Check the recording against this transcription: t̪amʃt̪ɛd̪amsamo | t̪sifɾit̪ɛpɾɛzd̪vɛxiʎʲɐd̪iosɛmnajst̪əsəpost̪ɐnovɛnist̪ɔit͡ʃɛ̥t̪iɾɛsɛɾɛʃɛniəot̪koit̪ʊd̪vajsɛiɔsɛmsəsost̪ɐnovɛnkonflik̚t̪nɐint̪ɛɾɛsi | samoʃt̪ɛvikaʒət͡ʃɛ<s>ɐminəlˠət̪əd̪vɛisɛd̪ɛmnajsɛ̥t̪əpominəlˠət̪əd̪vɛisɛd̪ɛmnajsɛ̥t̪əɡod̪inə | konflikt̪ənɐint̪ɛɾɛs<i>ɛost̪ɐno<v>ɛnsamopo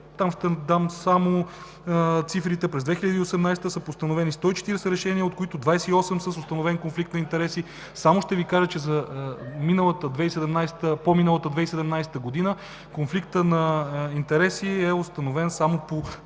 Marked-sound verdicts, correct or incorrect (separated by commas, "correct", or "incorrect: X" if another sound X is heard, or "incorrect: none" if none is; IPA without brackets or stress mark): incorrect: z, correct, correct